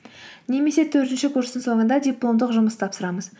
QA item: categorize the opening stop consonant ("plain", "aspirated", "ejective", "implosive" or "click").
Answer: aspirated